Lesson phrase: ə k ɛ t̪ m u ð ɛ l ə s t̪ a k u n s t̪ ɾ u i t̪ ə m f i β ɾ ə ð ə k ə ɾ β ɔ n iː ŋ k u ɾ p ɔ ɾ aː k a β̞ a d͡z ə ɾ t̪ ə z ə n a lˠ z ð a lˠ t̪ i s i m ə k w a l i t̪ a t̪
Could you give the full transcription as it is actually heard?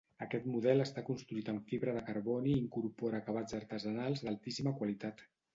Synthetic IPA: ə k ɛ t̪ m u ð ɛ l ə s t̪ a k u n s t̪ ɾ u i t̪ ə m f i β ɾ ə ð ə k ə ɾ β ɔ n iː ŋ k u ɾ p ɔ ɾ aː k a β̞ a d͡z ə ɾ t̪ ə z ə n a lˠ z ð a lˠ t̪ i s i m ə k w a l i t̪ a t̪

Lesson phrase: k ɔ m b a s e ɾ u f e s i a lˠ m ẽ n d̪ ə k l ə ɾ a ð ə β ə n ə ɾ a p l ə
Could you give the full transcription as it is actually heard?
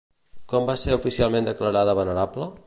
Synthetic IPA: k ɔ m b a s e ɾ u f i s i a lˠ m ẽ n d̪ ə k l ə ɾ a ð ə β ə n ə ɾ a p l ə

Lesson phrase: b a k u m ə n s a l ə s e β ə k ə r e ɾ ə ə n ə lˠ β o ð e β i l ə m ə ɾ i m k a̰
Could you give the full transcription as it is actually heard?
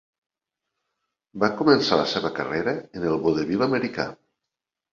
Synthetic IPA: b a k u m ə n s a l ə s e β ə k ə r e ɾ ə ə n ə lˠ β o ð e β i l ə m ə ɾ i k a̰

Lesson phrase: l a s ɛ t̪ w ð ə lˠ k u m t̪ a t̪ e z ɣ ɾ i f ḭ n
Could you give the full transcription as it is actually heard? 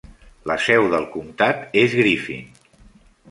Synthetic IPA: l ə s ɛ w ð ə lˠ k u m t̪ a t̪ e z ɣ ɾ i f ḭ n

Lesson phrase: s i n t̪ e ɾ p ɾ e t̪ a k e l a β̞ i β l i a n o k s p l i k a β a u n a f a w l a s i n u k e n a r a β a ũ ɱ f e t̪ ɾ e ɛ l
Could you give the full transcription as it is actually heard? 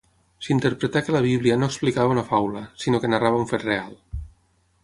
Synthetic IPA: s i n t̪ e ɾ p ɾ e t̪ a k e l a β̞ i β l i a n o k s p l i k a β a u n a f a w l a s i n o k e n a r a β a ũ ɱ f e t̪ r e a l

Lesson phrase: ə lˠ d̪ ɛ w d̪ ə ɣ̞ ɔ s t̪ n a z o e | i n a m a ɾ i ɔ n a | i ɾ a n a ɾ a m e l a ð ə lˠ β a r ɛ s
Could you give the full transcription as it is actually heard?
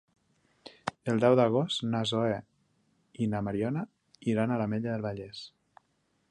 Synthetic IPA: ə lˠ d̪ ɛ w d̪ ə ɣ̞ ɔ s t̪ n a z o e | i n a m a ɾ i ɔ n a | i ɾ a n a l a m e ʎ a ð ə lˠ β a ʎ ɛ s

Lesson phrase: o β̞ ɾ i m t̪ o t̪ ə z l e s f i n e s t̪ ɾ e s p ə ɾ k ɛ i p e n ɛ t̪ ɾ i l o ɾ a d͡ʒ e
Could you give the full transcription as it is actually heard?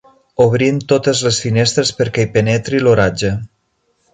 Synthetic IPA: o β̞ ɾ i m t̪ o t̪ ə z l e s f i n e s t̪ ɾ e s p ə ɾ k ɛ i p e n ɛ t̪ ɾ i l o ɾ a d͡ʒ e

